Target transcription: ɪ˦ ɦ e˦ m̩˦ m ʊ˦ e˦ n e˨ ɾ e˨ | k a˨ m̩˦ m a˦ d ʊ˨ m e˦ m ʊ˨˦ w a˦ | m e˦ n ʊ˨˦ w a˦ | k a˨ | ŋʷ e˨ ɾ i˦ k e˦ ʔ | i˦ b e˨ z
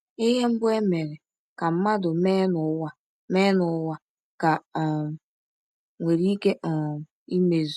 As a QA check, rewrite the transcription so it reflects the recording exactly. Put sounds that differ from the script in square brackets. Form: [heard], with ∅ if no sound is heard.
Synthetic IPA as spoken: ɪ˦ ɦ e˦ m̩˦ [b] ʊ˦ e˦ [m] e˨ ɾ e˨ | k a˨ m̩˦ m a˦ d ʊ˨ m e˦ [n] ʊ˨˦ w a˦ | m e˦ n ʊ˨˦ w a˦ | k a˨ | ŋʷ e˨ ɾ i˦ k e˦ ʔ | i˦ [m] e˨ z